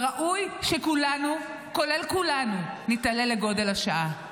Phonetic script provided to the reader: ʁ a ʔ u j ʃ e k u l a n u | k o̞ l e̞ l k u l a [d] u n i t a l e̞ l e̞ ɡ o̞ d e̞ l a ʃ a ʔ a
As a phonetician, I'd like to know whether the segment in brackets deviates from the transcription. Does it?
yes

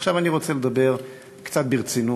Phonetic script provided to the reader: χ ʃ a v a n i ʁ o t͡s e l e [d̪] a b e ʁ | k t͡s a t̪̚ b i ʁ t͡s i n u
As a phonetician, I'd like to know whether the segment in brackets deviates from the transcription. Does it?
no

